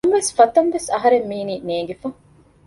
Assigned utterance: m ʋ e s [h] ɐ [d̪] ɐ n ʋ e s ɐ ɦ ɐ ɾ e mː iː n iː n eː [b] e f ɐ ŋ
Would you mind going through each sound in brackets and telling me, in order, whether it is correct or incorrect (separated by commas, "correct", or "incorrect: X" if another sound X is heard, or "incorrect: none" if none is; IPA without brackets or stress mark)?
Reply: incorrect: f, incorrect: t̪, incorrect: ɡ